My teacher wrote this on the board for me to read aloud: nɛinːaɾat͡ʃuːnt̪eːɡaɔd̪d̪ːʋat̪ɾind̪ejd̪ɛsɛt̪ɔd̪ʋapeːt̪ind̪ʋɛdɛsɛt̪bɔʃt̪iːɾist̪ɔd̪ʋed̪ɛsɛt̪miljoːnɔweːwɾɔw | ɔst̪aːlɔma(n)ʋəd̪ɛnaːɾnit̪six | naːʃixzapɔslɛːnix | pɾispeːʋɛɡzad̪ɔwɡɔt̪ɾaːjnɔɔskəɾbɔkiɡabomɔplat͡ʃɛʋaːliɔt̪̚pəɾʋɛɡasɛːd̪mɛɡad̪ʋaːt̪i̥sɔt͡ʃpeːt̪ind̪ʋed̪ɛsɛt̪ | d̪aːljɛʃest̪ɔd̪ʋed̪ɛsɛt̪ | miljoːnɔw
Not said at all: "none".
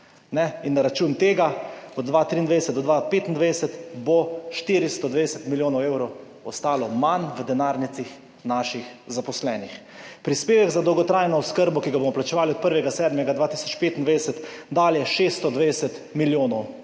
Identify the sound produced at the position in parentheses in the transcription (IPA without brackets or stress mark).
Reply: n